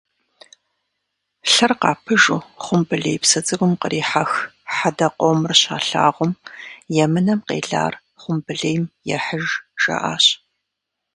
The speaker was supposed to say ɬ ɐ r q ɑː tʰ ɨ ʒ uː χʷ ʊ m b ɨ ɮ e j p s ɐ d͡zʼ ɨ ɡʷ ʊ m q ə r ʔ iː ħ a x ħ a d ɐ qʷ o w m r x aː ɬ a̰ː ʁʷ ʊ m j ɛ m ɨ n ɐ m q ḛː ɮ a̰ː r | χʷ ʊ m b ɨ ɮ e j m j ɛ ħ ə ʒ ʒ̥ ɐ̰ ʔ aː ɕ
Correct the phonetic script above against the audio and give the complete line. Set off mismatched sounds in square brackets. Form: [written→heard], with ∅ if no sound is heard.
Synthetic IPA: ɬ ɐ r q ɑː [tʰ→pʰ] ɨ ʒ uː χʷ ʊ m b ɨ ɮ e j p s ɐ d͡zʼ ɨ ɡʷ ʊ m q ə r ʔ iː ħ a x ħ a d ɐ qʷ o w m r [x→ɕ] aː ɬ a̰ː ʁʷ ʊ m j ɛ m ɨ n ɐ m q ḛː ɮ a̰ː r | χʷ ʊ m b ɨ ɮ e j m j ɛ ħ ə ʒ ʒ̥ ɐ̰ ʔ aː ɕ